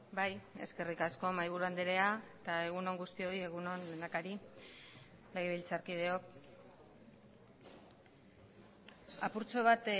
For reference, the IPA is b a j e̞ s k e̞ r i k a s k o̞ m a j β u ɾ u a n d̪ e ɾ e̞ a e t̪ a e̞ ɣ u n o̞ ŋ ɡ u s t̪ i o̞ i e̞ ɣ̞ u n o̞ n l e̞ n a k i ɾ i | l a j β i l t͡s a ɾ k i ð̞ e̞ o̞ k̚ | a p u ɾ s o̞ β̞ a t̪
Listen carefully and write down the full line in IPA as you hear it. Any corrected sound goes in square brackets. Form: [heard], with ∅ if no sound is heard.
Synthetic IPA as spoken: b a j e̞ s k e̞ r i k a s k o̞ m a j β u ɾ u a n d̪ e ɾ e̞ a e t̪ a e̞ ɣ u n o̞ ŋ ɡ u s t̪ i o̞ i e̞ ɣ̞ u n o̞ n l e̞ n a k [a] ɾ i | l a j β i l t͡s a ɾ k i ð̞ e̞ o̞ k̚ | a p u ɾ [t͡s] o̞ β̞ a t̪